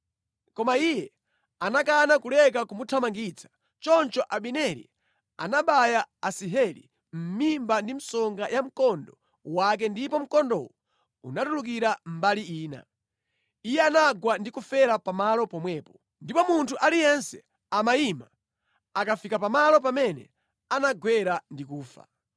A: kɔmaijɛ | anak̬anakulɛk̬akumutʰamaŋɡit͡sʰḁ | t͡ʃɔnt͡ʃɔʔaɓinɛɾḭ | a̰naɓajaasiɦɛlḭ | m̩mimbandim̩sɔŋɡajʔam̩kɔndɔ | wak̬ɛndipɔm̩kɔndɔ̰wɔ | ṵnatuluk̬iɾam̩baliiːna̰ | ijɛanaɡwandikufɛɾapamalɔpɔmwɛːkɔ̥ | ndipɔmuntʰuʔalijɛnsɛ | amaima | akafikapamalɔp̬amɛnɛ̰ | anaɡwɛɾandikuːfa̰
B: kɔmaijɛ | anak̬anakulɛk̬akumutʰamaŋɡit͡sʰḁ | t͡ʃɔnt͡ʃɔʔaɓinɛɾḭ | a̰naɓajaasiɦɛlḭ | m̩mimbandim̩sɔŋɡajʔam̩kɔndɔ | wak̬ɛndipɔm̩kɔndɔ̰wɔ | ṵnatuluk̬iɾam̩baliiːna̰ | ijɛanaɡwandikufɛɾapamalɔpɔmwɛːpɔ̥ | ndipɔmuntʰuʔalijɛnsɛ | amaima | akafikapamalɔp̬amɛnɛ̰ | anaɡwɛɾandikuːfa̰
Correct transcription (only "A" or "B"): B